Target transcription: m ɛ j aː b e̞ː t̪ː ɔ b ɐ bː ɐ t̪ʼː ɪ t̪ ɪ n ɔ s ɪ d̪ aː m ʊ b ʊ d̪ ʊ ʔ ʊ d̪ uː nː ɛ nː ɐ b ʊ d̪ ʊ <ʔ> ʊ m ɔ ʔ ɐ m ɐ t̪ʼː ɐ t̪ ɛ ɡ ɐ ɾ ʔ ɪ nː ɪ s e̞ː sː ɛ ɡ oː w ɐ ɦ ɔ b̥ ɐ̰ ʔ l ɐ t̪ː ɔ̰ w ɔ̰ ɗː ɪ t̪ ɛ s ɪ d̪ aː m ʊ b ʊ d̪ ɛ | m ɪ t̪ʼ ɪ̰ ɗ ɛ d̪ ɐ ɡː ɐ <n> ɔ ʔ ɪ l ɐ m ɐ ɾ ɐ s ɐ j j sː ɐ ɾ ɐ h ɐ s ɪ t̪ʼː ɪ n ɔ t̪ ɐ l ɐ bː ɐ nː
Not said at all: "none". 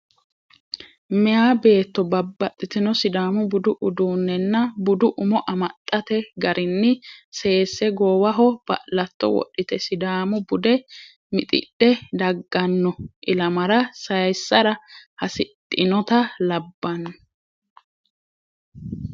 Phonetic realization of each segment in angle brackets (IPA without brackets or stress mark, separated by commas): ʔ, nː